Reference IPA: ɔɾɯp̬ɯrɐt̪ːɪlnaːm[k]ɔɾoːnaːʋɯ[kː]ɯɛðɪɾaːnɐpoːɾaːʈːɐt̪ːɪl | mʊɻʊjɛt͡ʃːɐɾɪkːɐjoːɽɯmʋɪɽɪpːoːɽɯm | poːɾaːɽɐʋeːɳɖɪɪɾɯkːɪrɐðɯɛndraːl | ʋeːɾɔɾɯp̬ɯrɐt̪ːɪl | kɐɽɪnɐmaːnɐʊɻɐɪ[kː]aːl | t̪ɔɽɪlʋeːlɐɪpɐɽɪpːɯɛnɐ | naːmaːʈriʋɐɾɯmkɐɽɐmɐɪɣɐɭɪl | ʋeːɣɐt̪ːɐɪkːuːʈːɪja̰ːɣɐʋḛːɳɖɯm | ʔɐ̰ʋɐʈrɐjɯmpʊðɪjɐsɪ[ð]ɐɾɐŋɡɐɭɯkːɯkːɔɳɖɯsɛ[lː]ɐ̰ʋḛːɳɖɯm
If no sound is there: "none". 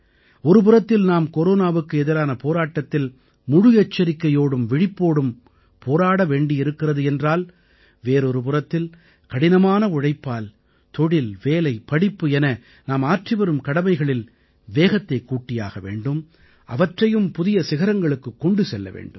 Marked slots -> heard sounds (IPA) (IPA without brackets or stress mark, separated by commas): k, kː, pː, ɣ, lː